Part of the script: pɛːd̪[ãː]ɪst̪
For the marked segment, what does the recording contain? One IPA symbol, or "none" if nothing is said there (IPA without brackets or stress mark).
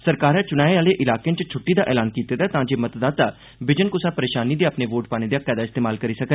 aː